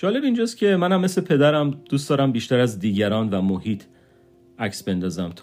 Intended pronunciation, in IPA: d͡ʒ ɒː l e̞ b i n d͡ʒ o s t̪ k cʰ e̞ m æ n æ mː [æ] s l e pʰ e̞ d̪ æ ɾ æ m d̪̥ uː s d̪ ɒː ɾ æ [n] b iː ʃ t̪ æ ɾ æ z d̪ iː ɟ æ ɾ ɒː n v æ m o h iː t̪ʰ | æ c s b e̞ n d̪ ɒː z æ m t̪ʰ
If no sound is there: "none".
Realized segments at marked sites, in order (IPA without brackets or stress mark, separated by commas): e, m